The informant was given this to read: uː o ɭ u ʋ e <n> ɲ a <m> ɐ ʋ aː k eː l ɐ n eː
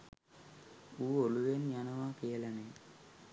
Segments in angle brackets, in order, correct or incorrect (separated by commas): correct, incorrect